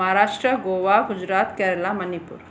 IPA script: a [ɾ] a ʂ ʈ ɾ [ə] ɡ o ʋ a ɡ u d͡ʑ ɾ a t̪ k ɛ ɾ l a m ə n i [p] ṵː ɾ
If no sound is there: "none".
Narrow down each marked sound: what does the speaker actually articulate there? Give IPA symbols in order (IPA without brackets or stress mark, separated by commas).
ɾ, ə, p